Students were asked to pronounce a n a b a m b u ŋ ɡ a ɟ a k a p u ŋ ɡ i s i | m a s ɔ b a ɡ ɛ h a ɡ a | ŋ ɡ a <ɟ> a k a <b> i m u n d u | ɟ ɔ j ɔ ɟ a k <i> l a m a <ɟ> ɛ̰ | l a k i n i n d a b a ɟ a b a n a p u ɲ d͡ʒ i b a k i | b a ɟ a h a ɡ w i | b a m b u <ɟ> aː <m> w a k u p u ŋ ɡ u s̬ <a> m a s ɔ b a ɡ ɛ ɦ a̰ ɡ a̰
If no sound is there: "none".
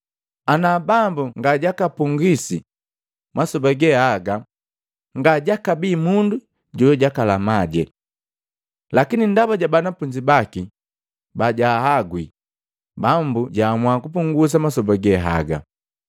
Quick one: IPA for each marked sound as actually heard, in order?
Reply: ɟ, b, a, ɟ, ɟ, m, a

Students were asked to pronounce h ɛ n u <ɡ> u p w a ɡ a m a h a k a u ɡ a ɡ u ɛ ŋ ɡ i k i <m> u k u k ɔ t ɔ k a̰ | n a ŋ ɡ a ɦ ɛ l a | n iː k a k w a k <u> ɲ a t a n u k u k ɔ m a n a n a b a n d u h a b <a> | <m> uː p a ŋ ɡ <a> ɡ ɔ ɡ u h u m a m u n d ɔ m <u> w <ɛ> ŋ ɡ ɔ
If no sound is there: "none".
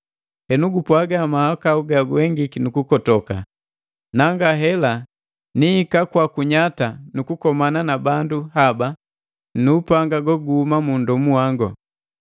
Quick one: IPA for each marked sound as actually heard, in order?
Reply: ɡ, n, u, a, n, a, u, a

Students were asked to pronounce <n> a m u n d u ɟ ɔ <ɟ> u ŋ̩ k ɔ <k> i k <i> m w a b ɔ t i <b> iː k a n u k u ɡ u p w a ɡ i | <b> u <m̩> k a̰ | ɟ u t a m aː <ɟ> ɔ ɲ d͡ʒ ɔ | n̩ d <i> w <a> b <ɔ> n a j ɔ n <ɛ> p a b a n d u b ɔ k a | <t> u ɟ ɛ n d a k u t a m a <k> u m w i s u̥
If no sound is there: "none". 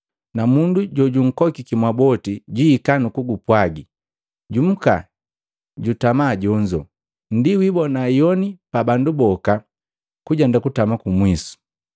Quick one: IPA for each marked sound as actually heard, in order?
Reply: n, ɟ, k, i, ɟ, ɟ, m̩, ɟ, i, i, ɔ, i, k, k

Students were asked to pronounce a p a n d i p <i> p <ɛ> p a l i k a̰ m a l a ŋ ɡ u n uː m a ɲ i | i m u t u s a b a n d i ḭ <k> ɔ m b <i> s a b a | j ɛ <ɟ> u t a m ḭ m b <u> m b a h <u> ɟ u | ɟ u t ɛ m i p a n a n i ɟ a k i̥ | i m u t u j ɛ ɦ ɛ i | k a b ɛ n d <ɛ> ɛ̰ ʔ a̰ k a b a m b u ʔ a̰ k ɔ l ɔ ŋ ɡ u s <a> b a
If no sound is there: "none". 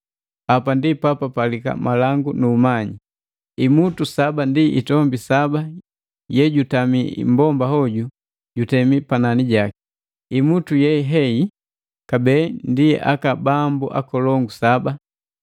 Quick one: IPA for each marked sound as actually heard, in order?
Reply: a, a, t, i, ɟ, ɔ, ɔ, i, a

